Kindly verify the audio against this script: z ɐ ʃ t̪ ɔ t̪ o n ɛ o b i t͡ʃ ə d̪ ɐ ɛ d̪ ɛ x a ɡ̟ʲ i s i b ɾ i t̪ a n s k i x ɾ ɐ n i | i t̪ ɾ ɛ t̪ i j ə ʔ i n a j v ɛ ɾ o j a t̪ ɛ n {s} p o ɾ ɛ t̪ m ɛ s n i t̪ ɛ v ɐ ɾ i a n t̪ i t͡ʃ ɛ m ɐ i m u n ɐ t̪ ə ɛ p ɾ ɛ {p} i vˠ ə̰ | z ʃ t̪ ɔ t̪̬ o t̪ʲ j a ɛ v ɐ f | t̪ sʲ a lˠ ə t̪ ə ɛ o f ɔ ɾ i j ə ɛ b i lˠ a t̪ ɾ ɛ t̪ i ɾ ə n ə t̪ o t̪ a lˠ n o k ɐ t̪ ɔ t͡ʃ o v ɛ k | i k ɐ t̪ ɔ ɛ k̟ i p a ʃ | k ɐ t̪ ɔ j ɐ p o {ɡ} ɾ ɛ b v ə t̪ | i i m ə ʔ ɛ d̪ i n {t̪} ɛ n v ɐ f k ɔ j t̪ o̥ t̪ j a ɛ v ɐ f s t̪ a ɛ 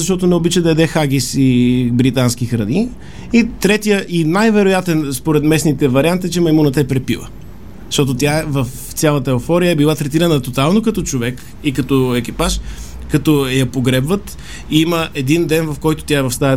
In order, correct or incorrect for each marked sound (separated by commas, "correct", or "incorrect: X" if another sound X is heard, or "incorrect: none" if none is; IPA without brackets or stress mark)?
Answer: correct, correct, correct, incorrect: d̪